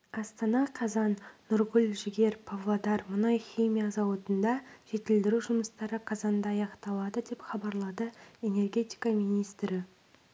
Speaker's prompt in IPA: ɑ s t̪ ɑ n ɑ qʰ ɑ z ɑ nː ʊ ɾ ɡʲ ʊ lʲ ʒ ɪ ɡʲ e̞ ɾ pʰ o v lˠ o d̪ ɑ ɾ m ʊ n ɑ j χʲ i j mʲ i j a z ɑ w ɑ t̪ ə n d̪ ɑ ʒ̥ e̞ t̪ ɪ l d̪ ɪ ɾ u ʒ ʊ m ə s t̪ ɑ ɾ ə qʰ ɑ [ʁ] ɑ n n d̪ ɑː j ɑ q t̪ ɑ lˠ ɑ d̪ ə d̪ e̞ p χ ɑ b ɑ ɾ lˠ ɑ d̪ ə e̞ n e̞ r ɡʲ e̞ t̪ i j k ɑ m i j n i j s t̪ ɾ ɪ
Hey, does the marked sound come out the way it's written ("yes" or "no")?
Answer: no